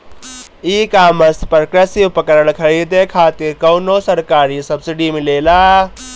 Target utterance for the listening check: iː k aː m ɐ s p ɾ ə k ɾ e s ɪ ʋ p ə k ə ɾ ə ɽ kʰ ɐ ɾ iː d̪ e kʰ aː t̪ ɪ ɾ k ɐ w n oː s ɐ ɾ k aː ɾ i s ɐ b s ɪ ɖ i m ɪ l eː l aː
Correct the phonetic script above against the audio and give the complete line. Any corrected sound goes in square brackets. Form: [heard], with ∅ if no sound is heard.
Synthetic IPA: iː k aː m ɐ s p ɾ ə k ɾ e s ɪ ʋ p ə k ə ɾ ə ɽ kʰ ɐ ɾ iː d̪ e kʰ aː t̪ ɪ ɾ k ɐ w n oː s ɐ ɾ k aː ɾ i s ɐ b s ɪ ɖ i m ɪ l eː l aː